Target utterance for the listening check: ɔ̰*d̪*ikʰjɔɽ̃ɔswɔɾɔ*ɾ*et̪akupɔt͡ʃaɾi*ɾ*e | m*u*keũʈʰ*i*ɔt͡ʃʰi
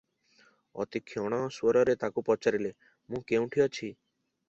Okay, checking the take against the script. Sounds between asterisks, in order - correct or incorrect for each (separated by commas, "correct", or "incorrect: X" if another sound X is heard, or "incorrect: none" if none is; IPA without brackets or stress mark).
incorrect: t̪, correct, incorrect: l, incorrect: ũ, correct